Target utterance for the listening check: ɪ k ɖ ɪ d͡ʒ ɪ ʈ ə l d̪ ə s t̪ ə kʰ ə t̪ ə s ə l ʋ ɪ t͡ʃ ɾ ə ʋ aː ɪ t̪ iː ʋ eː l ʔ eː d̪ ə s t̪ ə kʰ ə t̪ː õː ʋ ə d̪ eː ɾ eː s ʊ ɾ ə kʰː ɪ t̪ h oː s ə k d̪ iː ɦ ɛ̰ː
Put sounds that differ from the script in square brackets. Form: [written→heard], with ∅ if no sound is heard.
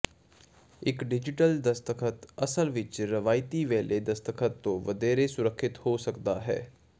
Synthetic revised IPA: ɪ k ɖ ɪ d͡ʒ ɪ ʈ ə l d̪ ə s t̪ ə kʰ ə t̪ ə s ə l ʋ ɪ t͡ʃ ɾ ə ʋ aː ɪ t̪ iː ʋ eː l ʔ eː d̪ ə s t̪ ə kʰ ə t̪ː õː ʋ ə d̪ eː ɾ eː s ʊ ɾ ə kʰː ɪ t̪ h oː s ə k d̪ [iː→aː] ɦ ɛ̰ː